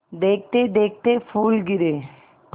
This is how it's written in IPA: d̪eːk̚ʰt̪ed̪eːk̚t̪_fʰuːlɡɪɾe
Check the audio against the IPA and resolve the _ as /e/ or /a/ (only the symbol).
e